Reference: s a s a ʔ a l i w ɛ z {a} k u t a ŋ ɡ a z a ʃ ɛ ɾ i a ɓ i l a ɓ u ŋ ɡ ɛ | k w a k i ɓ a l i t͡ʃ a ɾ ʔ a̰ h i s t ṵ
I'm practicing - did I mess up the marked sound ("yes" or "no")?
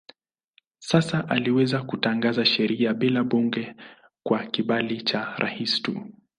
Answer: no